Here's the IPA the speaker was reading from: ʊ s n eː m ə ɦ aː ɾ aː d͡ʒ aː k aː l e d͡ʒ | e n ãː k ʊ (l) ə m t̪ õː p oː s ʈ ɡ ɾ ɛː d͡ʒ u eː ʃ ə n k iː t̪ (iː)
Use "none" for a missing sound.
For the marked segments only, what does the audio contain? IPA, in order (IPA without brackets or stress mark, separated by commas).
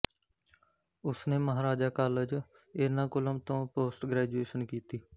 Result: l, iː